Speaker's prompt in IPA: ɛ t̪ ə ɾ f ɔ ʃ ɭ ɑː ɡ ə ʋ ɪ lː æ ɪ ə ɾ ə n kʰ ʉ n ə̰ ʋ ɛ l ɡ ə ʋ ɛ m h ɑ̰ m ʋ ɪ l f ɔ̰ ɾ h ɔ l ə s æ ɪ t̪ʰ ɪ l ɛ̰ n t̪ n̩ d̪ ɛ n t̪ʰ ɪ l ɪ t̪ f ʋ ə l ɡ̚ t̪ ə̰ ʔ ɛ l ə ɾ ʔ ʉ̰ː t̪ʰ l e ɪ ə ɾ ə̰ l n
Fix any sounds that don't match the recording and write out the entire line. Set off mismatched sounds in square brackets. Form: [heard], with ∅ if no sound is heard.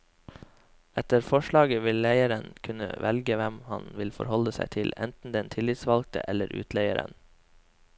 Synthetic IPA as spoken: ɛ t̪ ə ɾ f ɔ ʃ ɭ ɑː ɡ ə ʋ ɪ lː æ ɪ ə ɾ ə n kʰ ʉ n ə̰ ʋ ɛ l ɡ ə ʋ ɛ m h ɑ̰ [n] ʋ ɪ l f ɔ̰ ɾ h ɔ l ə s æ ɪ t̪ʰ ɪ l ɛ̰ n t̪ n̩ d̪ ɛ n t̪ʰ ɪ l ɪ t̪ [s] ʋ [ɑ] l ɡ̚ t̪ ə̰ ʔ ɛ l ə ɾ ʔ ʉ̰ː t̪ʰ l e ɪ ə ɾ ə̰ [∅] n